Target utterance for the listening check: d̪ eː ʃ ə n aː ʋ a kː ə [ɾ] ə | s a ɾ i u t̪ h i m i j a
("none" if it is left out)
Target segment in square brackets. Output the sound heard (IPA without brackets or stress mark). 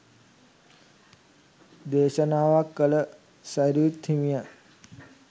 l